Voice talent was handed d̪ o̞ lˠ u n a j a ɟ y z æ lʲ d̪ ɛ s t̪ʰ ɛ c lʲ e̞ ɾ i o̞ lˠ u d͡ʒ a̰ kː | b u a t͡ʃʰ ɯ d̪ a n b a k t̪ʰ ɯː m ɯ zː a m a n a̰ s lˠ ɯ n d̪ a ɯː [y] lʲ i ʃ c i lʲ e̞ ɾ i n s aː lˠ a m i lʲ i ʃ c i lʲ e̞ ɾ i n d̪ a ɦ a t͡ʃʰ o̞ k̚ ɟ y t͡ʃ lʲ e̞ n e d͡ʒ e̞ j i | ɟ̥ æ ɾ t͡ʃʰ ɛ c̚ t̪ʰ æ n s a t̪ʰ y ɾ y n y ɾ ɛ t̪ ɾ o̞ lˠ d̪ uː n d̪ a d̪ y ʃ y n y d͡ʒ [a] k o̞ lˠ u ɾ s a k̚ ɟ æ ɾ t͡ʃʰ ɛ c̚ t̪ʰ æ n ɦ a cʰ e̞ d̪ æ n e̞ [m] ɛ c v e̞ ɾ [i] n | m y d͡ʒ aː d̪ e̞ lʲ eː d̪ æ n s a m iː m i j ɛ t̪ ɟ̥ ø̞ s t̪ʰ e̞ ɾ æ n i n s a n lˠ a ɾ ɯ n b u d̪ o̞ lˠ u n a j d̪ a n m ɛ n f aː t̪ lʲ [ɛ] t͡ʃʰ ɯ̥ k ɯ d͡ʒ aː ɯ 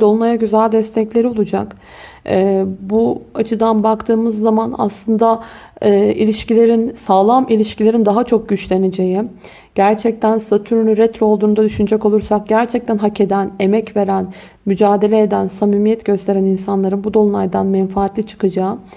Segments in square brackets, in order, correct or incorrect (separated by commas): incorrect, incorrect, correct, incorrect, incorrect